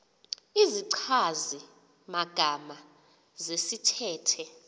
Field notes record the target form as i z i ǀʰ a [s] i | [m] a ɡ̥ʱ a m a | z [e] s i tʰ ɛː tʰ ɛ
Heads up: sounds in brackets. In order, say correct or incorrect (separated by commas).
incorrect, correct, correct